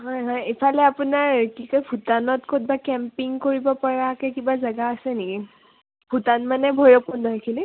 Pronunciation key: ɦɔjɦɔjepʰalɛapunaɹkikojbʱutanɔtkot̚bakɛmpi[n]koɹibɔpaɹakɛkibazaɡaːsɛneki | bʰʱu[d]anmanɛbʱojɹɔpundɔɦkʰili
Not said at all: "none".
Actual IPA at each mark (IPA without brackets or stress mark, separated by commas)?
ŋ, t